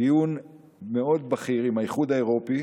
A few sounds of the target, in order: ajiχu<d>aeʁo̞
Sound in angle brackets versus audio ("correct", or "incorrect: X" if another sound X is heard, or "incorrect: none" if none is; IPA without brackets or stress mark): correct